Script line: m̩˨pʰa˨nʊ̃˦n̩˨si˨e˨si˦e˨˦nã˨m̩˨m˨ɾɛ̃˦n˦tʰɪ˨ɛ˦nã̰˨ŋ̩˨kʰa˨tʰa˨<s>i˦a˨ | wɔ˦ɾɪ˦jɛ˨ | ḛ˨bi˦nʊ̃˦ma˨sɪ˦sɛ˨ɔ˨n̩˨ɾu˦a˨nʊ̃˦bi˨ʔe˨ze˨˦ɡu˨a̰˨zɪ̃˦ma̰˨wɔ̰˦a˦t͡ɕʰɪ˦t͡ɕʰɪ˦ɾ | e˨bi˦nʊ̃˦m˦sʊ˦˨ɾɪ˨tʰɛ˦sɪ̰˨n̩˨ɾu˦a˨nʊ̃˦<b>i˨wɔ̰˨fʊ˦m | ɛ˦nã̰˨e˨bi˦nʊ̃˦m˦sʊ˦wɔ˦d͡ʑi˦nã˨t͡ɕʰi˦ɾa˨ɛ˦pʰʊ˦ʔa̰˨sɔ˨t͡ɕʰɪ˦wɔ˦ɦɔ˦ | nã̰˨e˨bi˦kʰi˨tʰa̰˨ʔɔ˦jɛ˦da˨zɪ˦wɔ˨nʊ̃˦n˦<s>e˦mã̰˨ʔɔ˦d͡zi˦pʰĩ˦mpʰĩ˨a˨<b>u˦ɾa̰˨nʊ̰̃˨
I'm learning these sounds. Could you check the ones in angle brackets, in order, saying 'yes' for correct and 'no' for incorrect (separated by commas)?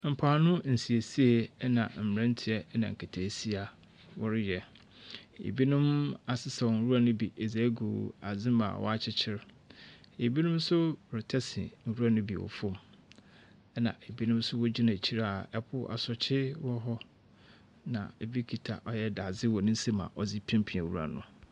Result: yes, yes, yes, no